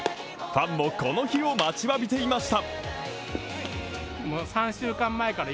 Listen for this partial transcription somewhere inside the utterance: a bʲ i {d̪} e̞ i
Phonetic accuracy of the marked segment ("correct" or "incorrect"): incorrect